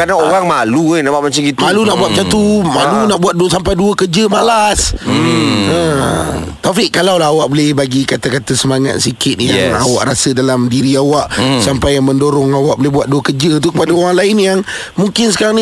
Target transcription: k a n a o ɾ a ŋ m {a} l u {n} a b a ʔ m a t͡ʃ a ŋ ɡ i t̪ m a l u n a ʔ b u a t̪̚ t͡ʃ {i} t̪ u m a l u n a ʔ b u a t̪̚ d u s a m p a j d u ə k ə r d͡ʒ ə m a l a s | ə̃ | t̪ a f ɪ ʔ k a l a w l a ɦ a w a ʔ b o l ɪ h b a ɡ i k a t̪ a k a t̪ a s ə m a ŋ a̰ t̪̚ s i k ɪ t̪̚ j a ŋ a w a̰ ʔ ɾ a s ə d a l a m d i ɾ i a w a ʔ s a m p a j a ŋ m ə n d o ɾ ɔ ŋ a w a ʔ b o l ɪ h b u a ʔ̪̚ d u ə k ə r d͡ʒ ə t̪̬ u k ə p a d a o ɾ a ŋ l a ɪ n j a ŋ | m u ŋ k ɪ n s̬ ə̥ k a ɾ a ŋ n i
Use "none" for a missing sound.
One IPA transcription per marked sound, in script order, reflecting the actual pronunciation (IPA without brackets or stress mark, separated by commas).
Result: a, n, a